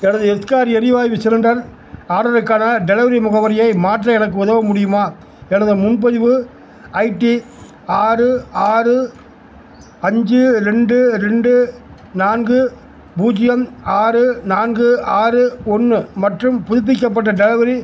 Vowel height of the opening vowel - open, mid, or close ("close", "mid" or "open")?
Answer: mid